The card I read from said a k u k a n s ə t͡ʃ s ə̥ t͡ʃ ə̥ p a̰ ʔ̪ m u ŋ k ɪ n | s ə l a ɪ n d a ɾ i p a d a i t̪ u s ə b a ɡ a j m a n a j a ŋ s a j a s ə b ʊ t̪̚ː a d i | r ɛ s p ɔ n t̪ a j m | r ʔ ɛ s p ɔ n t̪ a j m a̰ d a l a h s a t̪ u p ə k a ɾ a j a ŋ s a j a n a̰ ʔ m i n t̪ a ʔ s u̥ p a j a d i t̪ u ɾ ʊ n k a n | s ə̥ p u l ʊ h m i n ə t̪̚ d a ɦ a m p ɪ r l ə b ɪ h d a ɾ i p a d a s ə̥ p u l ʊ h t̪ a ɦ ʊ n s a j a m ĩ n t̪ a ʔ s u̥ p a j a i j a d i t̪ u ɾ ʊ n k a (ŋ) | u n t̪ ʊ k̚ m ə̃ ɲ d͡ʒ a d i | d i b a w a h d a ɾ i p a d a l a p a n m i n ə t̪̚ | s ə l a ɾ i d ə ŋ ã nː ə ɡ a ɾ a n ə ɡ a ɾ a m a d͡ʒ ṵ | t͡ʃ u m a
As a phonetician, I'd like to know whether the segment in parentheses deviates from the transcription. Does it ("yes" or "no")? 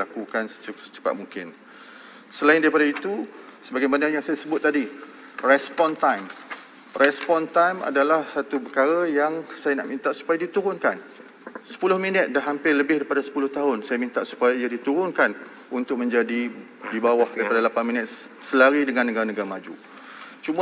yes